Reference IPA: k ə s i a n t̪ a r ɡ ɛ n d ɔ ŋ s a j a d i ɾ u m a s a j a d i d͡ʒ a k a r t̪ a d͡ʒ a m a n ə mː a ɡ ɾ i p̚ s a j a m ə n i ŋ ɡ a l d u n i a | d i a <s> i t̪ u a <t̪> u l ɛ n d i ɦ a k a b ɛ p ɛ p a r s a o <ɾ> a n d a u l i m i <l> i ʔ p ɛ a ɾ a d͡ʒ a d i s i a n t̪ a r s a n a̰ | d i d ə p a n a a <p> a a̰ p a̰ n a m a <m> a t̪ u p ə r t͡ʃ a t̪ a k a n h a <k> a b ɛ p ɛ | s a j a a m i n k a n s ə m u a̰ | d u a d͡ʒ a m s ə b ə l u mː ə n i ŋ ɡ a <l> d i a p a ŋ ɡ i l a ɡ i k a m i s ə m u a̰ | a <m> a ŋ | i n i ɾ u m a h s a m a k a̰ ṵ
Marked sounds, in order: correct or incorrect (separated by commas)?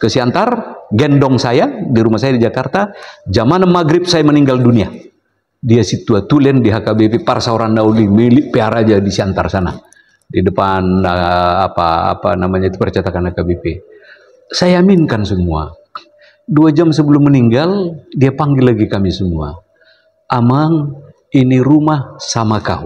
correct, correct, correct, correct, correct, incorrect, correct, correct, correct